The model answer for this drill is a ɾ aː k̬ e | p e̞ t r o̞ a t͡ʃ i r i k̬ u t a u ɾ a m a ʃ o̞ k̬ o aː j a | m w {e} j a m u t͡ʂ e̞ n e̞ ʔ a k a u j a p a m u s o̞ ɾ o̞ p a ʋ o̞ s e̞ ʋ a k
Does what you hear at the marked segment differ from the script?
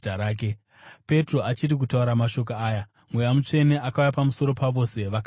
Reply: no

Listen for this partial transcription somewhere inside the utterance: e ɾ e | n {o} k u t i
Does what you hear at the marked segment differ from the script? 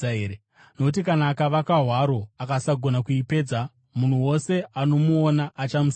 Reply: no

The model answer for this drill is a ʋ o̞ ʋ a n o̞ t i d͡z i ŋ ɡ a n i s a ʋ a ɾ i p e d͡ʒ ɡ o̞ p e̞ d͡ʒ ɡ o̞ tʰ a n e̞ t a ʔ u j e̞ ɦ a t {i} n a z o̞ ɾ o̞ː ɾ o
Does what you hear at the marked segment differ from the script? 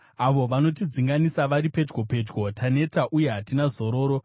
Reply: no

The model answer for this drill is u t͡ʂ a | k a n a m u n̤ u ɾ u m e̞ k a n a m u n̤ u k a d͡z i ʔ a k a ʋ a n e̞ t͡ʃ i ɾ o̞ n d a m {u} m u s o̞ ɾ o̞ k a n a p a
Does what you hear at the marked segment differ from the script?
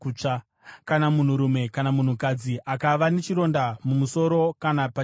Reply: no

